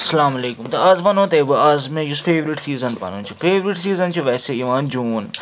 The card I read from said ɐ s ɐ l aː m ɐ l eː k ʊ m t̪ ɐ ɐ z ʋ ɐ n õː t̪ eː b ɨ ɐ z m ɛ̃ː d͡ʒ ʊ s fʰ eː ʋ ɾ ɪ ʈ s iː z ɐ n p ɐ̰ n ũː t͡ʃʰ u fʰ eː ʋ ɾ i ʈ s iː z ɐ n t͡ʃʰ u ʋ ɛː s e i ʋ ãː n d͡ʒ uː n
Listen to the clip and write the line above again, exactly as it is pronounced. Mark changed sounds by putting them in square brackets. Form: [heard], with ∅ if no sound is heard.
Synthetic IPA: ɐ s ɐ l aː m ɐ l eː k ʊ m t̪ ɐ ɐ z ʋ ɐ n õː t̪ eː b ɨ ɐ z m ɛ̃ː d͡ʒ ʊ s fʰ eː ʋ ɾ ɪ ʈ s iː z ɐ n p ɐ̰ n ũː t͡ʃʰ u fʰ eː ʋ ɾ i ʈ s iː z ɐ n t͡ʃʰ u ʋ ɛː s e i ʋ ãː n d͡ʒ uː n